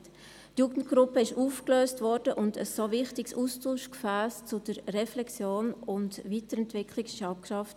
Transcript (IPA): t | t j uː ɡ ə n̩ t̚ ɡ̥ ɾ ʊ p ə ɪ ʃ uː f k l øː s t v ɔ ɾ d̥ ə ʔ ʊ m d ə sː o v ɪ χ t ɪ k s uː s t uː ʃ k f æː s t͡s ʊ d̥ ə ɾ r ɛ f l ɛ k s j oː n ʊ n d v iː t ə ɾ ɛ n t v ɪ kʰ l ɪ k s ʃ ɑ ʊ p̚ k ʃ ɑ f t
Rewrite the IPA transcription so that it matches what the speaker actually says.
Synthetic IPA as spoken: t | t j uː ɡ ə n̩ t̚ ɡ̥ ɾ ʊ p ə ɪ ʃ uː f k l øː s t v ɔ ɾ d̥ ə ʔ ʊ n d ə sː o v ɪ χ t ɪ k s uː s t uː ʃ k f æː s t͡s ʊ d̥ ə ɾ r ɛ f l ɛ k s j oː n ʊ n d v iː t ə ɾ ɛ n t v ɪ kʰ l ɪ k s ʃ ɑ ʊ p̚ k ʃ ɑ f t

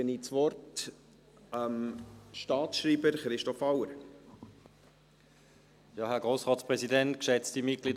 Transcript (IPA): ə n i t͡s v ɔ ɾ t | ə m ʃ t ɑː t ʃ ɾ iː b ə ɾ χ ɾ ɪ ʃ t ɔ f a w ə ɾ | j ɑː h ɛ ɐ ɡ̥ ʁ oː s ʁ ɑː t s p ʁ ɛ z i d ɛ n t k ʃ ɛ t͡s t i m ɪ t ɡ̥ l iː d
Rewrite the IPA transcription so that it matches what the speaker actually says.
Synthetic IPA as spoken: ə n i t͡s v ɔ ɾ t | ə m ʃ t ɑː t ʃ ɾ iː b ə ɾ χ ɾ ɪ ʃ t ɔ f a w ə ɾ | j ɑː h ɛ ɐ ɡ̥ ʁ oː s ʁ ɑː t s p ʁ ɛ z i d ɛ n t k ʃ ɛ t͡s t i m ɪ t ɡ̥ l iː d

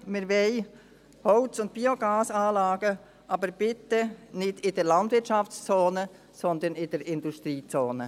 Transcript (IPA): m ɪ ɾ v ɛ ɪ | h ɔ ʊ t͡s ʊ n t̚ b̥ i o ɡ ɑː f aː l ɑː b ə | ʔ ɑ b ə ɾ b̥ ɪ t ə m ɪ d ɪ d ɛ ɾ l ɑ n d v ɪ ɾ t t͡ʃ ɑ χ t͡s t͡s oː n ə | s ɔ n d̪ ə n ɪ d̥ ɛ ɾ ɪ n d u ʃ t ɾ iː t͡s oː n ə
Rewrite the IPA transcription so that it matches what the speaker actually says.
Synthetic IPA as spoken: m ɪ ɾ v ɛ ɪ | h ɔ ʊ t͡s ʊ n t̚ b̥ i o ɡ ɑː s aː l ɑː ɡ ə | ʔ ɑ b ə ɾ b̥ ɪ t ə n ɪ d ɪ d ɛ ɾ l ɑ n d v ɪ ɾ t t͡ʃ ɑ f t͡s t͡s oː n ə | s ɔ n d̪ ə n ɪ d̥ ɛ ɾ ɪ n d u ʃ t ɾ iː t͡s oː n ə

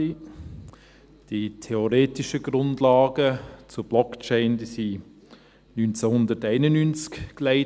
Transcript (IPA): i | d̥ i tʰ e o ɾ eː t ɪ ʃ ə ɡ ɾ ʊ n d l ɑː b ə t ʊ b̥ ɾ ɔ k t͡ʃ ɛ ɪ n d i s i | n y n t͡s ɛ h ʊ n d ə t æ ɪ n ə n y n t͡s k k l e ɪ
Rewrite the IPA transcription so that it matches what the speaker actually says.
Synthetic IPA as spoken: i | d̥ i tʰ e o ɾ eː t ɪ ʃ ə ɡ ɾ ʊ n d l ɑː ɡ ə t͡s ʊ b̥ l ɔ k t͡ʃ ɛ ɪ n d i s i | n y n t͡s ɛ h ʊ n d ə t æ ɪ n ə n y n t͡s k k l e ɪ

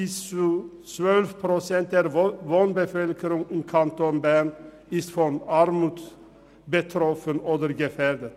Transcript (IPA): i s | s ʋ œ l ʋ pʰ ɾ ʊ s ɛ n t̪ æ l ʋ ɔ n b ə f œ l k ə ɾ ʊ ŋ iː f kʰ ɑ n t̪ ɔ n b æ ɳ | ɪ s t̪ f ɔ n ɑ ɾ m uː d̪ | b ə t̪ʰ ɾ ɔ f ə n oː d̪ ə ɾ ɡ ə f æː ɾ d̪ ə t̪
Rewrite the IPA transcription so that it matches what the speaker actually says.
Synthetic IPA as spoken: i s | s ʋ œ l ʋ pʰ ɾ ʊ s ɛ n t̪ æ ɾ ʋ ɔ n b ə f œ l k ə ɾ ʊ ŋ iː kʰ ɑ n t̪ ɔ n b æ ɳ | ɪ s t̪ f ɔ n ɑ ɾ m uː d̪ | b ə t̪ʰ ɾ ɔ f ə n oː d̪ ə ɾ ɡ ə f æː ɾ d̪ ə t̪

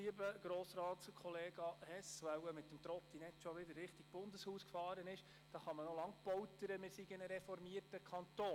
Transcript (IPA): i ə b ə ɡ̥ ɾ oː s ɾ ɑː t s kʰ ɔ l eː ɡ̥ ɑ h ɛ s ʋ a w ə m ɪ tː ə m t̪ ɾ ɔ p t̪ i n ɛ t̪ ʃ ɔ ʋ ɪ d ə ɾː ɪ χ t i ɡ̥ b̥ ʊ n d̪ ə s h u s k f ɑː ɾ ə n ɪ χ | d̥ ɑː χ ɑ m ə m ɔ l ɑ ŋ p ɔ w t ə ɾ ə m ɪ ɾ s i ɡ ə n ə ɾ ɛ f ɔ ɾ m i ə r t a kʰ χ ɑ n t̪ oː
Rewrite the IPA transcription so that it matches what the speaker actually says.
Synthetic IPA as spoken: i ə b ə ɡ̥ ɾ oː s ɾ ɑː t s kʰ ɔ l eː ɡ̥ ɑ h ɛ s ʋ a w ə m ɪ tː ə m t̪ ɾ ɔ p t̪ i n ɛ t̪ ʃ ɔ ʋ ɪ d ə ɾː ɪ χ t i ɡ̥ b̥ ʊ n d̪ ə s h uː s k f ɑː ɾ ə n ɪ ʃ | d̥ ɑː χ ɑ m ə n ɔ l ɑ ŋ p ɔ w t ə ɾ ə m ɪ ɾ s i ɡ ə n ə ɾ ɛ f ɔ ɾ m i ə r t ə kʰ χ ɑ n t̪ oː

